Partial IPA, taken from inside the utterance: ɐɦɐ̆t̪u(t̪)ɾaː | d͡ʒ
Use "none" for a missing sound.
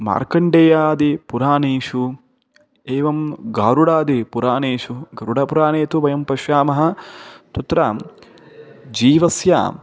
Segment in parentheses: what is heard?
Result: t̪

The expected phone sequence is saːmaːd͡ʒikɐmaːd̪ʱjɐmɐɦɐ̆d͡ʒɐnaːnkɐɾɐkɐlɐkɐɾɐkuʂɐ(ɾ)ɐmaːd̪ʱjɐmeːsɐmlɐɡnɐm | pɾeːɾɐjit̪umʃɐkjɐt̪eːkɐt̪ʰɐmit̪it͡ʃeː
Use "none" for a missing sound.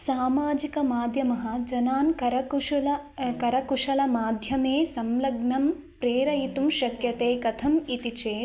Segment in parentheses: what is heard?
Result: l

